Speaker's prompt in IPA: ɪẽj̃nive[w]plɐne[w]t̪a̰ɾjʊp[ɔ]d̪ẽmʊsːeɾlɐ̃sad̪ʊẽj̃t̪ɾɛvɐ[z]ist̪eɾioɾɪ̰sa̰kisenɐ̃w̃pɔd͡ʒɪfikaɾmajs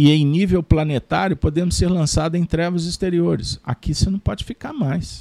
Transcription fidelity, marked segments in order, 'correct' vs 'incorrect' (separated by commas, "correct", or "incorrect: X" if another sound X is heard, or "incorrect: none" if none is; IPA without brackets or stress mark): correct, incorrect: none, incorrect: o, correct